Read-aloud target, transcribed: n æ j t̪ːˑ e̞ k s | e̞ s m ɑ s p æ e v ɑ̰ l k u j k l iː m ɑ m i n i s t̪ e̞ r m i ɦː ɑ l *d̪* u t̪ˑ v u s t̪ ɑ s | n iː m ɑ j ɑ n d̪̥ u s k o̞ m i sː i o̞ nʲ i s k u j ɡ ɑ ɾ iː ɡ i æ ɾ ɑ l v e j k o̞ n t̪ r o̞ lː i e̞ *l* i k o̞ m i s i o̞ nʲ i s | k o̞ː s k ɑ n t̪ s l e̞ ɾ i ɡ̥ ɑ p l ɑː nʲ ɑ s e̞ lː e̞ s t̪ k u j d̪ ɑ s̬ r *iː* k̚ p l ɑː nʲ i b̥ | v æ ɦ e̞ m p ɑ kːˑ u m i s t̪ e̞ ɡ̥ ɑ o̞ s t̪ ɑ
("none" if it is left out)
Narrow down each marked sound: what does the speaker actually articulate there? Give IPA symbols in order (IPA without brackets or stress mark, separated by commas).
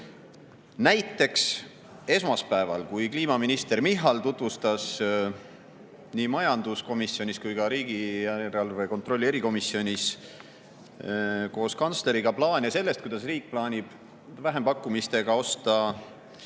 t̪, ɾ, iː